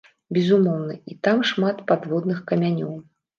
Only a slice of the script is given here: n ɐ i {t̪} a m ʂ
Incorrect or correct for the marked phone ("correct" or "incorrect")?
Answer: correct